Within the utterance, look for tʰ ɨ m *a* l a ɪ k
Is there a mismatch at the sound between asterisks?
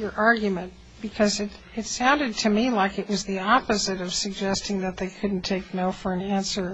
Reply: yes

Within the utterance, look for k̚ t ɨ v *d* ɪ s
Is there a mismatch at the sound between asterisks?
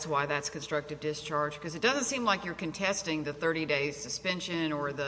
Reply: no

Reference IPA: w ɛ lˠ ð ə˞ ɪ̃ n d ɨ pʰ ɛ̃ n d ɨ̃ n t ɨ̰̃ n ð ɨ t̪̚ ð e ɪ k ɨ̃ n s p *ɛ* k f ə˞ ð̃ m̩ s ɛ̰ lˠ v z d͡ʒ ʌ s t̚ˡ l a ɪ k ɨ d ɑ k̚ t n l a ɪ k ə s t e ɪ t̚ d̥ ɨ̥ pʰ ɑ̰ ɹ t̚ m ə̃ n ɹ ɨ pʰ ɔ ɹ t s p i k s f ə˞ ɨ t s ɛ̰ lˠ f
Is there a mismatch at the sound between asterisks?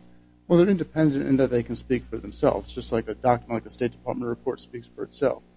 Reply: yes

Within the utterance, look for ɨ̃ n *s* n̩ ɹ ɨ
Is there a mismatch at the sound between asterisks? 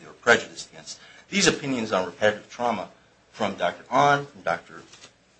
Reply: yes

